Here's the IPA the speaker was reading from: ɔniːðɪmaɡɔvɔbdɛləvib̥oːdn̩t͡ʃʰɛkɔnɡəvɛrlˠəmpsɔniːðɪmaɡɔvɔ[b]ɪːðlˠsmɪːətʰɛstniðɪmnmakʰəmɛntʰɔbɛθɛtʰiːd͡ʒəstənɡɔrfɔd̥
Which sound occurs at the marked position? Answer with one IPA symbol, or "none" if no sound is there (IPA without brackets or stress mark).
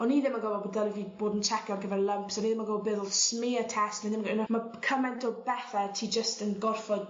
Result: b